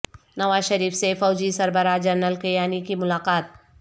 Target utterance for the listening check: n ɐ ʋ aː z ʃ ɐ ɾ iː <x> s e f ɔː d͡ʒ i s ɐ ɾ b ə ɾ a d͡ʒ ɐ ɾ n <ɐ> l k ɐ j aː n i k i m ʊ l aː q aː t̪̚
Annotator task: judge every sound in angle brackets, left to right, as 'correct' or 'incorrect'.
incorrect, incorrect

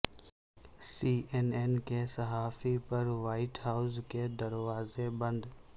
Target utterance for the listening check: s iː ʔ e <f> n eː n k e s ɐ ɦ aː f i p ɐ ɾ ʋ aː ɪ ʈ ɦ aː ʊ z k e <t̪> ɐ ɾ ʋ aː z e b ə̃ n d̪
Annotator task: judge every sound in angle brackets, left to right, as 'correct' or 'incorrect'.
incorrect, incorrect

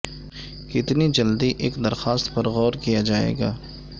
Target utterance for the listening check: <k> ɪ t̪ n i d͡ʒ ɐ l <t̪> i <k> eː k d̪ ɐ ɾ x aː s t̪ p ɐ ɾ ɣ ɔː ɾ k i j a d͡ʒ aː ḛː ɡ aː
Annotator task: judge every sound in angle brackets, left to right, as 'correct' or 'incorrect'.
correct, incorrect, incorrect

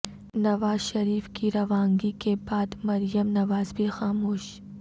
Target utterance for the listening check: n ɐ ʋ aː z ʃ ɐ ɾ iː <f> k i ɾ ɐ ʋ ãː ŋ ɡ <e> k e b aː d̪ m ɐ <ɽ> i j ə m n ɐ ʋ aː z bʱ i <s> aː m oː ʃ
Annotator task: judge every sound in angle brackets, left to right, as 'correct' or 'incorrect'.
correct, incorrect, incorrect, incorrect

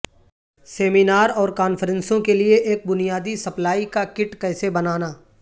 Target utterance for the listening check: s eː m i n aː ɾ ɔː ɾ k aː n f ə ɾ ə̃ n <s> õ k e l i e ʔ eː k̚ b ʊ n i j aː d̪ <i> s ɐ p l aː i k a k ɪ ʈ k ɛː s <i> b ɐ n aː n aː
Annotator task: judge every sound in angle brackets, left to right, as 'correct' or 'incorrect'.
correct, correct, incorrect

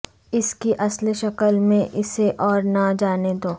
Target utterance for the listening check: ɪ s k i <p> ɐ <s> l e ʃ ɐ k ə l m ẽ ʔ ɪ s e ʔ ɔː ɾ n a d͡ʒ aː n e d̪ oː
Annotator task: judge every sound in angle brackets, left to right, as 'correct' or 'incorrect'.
incorrect, correct

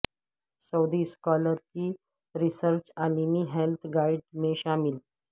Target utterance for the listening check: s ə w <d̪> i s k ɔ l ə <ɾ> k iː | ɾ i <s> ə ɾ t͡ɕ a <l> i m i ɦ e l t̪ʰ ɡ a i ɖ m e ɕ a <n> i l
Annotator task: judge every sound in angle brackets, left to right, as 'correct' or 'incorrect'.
correct, correct, correct, correct, incorrect

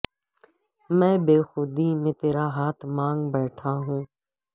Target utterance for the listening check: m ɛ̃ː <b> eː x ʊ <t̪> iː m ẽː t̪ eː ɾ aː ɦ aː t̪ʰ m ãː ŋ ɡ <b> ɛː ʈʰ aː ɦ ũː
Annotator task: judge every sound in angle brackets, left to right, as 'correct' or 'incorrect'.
correct, incorrect, correct

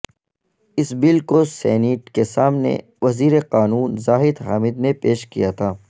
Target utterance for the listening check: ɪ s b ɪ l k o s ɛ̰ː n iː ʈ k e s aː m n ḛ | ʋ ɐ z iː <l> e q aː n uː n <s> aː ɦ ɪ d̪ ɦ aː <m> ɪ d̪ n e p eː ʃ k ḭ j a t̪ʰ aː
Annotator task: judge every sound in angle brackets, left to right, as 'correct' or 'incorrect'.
incorrect, incorrect, correct

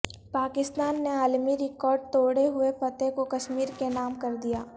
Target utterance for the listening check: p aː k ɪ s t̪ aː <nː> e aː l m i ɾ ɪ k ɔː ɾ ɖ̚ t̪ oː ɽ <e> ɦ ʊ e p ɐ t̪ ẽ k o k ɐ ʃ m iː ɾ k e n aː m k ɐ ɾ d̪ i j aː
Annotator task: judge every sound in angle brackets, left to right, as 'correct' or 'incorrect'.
correct, correct

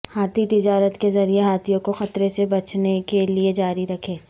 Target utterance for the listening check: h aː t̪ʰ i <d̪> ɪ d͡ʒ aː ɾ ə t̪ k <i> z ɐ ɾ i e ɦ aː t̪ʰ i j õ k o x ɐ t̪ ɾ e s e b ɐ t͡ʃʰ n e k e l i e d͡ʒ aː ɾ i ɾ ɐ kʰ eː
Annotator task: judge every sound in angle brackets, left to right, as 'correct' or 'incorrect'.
incorrect, incorrect

